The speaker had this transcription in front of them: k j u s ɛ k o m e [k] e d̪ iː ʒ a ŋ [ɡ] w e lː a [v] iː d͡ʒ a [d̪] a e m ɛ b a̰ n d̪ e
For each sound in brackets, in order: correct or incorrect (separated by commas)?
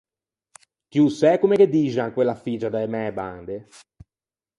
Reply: correct, incorrect, incorrect, correct